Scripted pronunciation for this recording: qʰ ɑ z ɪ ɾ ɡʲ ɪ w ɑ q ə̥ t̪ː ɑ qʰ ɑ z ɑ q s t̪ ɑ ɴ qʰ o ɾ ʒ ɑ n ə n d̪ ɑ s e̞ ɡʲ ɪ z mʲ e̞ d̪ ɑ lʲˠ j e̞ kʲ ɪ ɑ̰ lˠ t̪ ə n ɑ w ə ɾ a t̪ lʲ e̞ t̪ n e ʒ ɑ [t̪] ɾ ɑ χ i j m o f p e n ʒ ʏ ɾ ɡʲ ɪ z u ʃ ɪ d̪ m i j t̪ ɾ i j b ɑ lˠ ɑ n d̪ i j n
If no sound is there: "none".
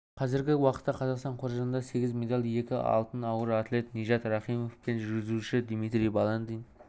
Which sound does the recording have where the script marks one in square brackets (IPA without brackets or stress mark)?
t̪